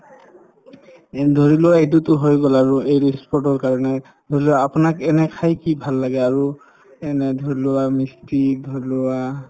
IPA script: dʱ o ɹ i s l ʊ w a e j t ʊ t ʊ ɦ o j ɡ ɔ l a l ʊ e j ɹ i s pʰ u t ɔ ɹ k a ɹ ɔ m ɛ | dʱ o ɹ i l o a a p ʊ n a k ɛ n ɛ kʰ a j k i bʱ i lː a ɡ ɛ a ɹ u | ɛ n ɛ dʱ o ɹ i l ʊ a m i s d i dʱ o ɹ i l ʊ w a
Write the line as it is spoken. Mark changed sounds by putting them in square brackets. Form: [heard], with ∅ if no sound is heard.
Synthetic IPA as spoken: dʱ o ɹ i [∅] l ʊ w a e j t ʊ t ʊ ɦ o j ɡ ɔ l a [ɹ] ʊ e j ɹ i s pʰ [ɔ] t ɔ ɹ k a ɹ ɔ [n] ɛ | dʱ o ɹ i l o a a p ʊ n a k ɛ n ɛ kʰ a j k i bʱ [a] lː a ɡ ɛ a ɹ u | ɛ n ɛ dʱ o ɹ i l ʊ a m i s [t] i dʱ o ɹ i l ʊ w a